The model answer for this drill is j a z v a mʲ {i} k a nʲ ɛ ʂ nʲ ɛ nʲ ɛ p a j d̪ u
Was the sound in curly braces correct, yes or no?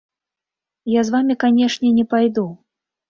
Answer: yes